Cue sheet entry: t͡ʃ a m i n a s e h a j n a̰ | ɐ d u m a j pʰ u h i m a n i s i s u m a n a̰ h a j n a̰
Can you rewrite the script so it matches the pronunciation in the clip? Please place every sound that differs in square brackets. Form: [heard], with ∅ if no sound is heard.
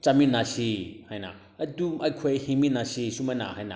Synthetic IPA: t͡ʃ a m i n a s [i] h a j n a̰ | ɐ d u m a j [kʰ] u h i m [i] n [a] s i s u m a n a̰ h a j n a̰